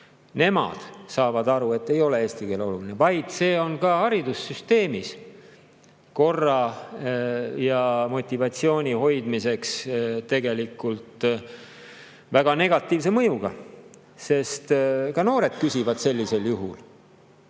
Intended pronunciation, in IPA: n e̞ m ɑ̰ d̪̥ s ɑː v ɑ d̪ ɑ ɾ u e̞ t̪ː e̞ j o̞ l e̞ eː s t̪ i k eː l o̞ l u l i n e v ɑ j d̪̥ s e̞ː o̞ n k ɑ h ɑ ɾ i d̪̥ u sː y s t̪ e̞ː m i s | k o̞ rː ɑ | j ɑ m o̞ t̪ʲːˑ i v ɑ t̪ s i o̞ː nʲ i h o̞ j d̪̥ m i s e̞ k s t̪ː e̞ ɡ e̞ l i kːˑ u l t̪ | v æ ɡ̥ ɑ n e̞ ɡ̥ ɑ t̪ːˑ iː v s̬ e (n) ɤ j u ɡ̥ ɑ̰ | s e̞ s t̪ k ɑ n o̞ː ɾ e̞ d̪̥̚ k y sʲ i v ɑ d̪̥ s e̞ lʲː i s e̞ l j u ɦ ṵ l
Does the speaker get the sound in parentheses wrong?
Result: yes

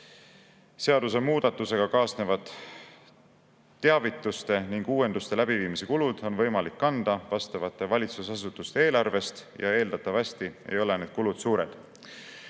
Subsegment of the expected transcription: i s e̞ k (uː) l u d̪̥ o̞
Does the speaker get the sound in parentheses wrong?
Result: yes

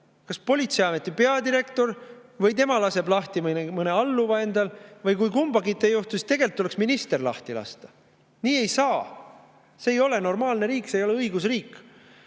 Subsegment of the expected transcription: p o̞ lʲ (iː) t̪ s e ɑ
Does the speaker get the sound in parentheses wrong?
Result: yes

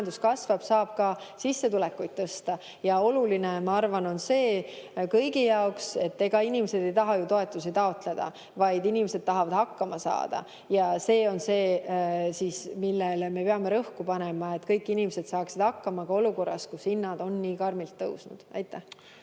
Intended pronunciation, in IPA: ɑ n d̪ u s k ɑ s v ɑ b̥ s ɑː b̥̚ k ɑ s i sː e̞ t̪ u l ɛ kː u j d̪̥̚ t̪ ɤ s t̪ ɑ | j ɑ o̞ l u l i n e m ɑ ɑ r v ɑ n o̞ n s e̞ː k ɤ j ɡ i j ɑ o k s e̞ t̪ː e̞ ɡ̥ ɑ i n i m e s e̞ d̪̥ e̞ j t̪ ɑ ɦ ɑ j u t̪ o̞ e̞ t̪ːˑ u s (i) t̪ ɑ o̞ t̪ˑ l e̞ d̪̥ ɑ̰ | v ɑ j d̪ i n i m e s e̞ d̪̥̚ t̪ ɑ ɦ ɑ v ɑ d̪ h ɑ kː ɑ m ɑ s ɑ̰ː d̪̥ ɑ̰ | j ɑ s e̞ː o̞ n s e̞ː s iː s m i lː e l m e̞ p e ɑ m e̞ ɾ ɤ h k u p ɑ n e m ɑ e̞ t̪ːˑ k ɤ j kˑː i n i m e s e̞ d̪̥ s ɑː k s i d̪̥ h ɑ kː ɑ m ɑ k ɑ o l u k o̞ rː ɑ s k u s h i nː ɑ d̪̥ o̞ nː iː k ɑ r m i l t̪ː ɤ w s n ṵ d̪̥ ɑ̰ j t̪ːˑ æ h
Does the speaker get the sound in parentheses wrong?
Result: no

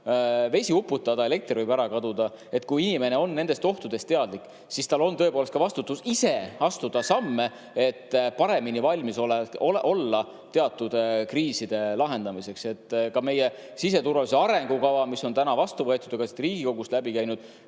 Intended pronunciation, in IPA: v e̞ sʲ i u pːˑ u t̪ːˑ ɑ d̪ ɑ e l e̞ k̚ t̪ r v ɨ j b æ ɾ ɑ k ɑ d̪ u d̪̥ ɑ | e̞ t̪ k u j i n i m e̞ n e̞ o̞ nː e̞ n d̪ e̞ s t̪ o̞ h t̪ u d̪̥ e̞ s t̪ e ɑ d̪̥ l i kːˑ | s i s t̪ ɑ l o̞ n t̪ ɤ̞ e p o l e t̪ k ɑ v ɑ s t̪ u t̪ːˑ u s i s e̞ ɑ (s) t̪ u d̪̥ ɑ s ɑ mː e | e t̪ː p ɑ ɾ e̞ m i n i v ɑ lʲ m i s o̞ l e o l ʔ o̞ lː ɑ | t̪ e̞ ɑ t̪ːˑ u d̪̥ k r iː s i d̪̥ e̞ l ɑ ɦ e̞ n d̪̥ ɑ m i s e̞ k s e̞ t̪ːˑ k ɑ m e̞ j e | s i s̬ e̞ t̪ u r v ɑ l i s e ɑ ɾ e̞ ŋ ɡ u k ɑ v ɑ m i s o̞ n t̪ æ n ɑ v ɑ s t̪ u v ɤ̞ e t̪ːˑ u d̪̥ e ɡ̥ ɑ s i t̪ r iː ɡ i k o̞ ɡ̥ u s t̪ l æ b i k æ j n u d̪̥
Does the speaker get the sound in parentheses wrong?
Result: no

